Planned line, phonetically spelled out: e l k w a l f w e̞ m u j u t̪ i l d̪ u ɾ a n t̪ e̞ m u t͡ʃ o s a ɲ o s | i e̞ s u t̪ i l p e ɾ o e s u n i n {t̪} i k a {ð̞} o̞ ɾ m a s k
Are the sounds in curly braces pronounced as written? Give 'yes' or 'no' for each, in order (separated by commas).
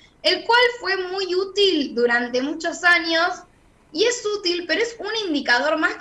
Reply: no, yes